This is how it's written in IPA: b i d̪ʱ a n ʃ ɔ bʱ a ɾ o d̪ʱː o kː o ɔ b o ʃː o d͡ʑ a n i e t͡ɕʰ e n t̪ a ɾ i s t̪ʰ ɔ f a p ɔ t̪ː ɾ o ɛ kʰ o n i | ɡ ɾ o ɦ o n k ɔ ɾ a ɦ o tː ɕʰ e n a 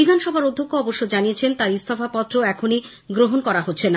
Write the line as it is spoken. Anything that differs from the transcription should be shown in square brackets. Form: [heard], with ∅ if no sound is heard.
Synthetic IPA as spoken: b i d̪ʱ a n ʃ ɔ bʱ a ɾ o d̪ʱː o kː o ɔ b o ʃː o d͡ʑ a n i e t͡ɕʰ e n t̪ a ɾ i s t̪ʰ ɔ f a p ɔ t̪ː ɾ o ɛ kʰ o n i | ɡ ɾ o ɦ o n k ɔ ɾ a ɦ o tː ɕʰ e n a

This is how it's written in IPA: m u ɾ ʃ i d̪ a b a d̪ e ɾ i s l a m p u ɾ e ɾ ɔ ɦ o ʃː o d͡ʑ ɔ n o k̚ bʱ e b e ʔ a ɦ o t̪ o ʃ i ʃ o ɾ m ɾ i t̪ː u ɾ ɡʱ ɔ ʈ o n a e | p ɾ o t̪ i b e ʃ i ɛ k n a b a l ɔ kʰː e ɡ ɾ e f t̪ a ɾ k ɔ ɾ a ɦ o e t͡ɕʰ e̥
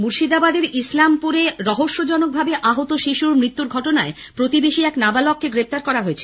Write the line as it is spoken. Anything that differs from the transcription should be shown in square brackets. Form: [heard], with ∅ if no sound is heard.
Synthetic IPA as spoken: m u ɾ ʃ i d̪ a b a d̪ e ɾ i s l a m p u ɾ e ɾ ɔ ɦ o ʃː o d͡ʑ ɔ n o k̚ bʱ [a] b e ʔ a ɦ o t̪ o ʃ i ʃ [u] ɾ m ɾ i t̪ː u ɾ ɡʱ ɔ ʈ o n a e | p ɾ o t̪ i b e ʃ i ɛ k n a b a l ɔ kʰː e ɡ ɾ e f t̪ a ɾ k ɔ ɾ a ɦ o e t͡ɕʰ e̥

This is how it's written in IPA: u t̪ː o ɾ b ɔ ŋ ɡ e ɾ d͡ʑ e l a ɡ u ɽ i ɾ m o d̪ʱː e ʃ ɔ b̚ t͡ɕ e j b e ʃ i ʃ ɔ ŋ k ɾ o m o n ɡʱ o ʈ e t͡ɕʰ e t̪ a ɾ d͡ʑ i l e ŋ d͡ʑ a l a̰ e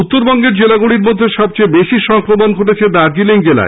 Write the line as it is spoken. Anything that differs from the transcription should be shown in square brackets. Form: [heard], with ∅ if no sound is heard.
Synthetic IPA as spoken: u t̪ː o ɾ b ɔ ŋ ɡ e ɾ d͡ʑ e l a ɡ u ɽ i ɾ m o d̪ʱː e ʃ ɔ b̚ t͡ɕ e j b e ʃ i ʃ ɔ ŋ k ɾ o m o n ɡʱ o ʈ e t͡ɕʰ e [d̪] a ɾ d͡ʑ i l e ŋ d͡ʑ [e] l a̰ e

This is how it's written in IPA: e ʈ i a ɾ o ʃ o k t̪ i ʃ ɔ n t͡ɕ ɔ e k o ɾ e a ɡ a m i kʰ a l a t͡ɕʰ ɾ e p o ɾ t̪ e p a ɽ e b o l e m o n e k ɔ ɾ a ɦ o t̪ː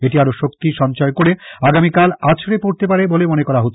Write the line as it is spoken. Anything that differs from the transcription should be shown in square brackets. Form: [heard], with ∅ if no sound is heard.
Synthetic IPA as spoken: e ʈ i a ɾ o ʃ o k t̪ i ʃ ɔ n t͡ɕ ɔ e k o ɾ e a ɡ a m i [k] a l a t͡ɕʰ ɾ e p o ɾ t̪ e p a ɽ e b o l e m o n e k ɔ ɾ a ɦ o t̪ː

